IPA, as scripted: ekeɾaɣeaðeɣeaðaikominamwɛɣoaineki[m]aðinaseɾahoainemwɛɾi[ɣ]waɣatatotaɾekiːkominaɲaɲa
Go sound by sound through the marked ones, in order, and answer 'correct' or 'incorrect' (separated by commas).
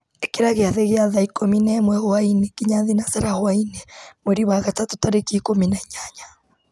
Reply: incorrect, incorrect